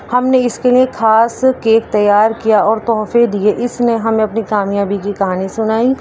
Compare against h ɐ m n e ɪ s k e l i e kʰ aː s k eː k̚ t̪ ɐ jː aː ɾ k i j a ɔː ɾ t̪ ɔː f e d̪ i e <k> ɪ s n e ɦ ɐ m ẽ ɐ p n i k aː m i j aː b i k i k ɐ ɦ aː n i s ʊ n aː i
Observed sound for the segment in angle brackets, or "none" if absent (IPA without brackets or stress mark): ʔ